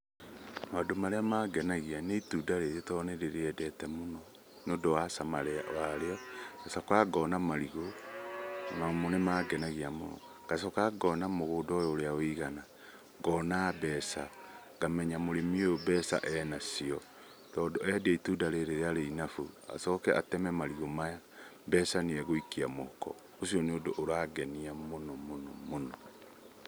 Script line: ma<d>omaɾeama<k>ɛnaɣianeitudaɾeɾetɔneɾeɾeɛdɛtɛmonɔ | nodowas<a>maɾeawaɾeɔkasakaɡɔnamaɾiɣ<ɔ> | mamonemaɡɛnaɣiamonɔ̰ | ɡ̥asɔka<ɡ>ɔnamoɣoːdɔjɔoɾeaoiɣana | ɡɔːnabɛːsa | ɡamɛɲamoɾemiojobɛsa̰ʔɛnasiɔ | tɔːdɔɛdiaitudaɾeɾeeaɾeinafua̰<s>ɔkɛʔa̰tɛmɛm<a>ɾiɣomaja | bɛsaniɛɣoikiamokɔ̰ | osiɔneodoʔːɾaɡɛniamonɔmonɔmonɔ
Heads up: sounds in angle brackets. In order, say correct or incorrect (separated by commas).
correct, incorrect, correct, incorrect, correct, correct, correct